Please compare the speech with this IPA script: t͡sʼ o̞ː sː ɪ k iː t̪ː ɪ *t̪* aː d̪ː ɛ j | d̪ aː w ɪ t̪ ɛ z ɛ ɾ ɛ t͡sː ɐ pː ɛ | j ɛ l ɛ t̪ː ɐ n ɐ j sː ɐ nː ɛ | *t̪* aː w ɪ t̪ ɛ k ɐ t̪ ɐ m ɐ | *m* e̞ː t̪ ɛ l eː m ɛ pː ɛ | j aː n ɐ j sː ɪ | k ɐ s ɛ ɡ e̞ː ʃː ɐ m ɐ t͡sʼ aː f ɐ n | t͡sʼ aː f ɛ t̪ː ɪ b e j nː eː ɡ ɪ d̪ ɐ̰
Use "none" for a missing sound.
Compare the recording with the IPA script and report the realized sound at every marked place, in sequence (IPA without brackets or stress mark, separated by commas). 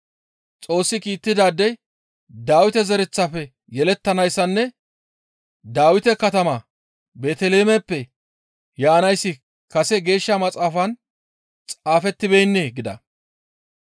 d̪, d̪, b